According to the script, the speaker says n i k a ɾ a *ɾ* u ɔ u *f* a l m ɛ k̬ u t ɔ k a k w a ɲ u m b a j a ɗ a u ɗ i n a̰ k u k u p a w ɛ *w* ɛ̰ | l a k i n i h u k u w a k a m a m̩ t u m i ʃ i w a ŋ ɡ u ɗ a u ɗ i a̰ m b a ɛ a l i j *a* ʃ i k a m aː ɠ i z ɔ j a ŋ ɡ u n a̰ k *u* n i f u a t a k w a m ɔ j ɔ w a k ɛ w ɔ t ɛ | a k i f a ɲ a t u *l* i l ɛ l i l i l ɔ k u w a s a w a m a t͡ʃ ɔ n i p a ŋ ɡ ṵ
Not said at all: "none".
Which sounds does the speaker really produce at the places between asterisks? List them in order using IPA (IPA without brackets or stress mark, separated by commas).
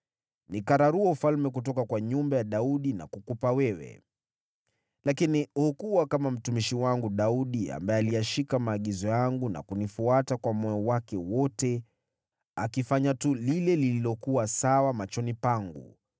ɾ, f, w, a, u, l